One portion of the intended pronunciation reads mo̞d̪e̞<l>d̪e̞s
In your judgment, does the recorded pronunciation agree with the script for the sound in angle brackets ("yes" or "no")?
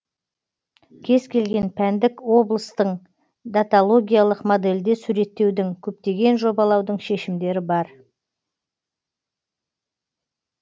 yes